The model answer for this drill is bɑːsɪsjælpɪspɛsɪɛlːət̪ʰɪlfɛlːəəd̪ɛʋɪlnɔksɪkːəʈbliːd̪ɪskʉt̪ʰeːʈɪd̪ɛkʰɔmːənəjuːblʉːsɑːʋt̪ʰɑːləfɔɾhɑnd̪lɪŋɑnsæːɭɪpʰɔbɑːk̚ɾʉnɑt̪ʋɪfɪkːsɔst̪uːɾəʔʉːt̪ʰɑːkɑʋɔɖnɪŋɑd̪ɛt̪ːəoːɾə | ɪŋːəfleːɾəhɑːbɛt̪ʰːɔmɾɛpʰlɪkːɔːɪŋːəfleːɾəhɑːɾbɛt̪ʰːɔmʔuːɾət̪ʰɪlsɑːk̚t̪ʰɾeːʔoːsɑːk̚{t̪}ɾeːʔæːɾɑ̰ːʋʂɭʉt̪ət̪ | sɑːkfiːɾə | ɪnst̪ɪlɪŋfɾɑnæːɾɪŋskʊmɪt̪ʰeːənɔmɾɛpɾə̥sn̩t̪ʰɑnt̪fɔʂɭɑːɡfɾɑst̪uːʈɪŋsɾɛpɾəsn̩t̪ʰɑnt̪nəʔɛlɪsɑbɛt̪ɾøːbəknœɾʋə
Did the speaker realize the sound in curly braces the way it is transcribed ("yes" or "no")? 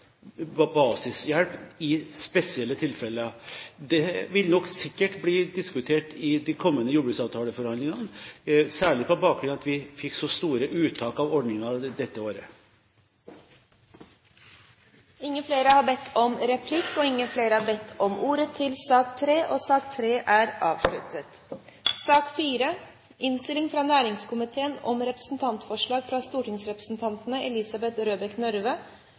no